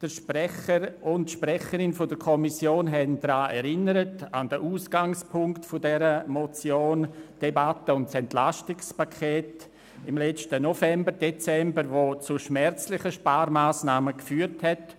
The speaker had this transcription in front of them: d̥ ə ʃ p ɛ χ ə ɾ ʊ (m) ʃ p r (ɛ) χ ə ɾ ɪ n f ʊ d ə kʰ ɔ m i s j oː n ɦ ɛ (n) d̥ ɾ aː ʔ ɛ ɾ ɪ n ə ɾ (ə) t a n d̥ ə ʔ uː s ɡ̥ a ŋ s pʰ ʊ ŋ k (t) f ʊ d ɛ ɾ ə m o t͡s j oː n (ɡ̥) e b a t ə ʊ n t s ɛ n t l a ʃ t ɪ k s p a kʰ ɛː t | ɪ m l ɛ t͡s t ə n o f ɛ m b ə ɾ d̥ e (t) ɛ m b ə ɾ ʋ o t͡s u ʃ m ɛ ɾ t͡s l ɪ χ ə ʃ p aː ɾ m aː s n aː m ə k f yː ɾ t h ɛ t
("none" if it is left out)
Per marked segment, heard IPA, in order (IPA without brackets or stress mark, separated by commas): n, ɛ, n, ə, t, d̥, t͡s